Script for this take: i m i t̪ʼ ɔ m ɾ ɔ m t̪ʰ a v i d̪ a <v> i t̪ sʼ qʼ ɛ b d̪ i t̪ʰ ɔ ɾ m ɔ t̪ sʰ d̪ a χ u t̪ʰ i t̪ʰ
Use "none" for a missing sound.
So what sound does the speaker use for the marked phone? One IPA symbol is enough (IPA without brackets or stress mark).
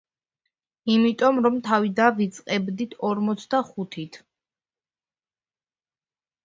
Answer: v